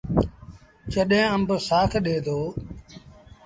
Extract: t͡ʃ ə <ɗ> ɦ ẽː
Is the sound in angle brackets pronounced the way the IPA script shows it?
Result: yes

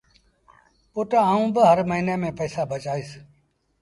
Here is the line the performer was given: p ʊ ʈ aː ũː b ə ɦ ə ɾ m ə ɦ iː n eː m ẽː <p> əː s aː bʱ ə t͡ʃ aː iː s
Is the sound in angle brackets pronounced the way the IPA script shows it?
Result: yes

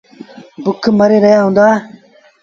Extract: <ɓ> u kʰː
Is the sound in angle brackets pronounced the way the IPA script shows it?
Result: no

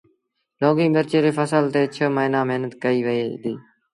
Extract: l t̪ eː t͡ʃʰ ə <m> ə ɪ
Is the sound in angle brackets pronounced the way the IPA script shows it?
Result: yes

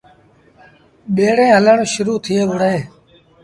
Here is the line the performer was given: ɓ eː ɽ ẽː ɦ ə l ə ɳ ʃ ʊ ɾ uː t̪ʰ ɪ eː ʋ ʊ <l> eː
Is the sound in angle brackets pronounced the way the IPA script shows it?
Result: no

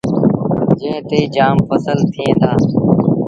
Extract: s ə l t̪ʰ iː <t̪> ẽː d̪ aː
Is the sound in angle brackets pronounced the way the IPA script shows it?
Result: no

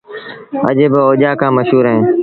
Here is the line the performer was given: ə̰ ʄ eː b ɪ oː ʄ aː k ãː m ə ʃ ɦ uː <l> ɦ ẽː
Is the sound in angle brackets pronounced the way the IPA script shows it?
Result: no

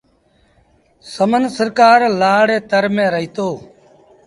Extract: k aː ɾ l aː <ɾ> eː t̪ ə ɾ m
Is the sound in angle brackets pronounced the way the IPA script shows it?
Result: no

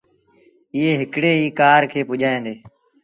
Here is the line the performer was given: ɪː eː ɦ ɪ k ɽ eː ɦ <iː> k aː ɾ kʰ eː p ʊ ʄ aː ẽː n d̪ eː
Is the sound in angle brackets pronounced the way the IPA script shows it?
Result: yes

